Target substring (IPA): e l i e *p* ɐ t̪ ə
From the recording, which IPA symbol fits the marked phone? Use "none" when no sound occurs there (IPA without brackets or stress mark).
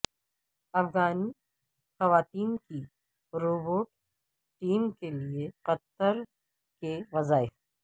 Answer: q